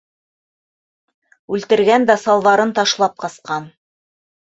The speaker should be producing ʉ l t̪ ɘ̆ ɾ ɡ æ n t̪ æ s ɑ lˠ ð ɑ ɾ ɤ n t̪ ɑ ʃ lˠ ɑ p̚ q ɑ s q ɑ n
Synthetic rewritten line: ʉ l t̪ ɘ̆ ɾ ɡ æ n d̪ æ s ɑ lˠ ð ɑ ɾ ɤ n t̪ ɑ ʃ lˠ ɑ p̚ q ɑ s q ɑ n